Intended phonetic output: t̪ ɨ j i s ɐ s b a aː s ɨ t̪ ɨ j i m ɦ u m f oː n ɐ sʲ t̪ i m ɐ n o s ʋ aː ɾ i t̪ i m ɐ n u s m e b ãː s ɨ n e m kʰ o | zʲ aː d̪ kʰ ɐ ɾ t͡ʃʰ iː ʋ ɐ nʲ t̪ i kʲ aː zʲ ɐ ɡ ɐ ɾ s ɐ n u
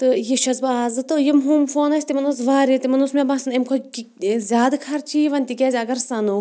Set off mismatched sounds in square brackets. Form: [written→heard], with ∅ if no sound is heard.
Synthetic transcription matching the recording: t̪ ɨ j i [s→ʃ] ɐ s b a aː [s→z] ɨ t̪ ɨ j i m ɦ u m f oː n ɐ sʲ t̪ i m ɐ n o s ʋ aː ɾ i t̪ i m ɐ n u s m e b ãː s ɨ n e m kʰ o | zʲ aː d̪ kʰ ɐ ɾ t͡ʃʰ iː ʋ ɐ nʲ t̪ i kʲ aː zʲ ɐ ɡ ɐ ɾ s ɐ n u